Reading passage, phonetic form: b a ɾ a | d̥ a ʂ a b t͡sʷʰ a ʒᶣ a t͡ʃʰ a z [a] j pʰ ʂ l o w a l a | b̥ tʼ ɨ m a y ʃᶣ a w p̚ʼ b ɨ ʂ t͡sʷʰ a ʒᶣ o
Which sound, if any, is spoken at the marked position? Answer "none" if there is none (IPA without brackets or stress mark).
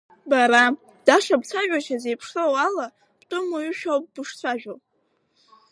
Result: e